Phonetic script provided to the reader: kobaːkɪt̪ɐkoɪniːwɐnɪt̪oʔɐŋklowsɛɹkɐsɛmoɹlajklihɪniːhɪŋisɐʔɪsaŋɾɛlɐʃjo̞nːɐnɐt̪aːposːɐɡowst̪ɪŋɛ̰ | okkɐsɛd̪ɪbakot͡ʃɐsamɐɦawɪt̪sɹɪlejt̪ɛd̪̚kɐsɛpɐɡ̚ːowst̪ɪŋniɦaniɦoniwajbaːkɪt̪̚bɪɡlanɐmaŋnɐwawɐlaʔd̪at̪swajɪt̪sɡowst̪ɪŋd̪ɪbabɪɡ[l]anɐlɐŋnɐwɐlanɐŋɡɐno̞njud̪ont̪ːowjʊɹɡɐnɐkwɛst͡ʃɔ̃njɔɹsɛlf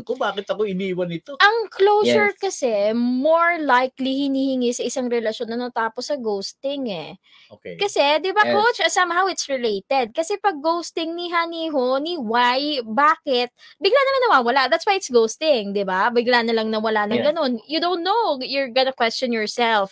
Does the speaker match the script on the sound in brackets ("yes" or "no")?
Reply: yes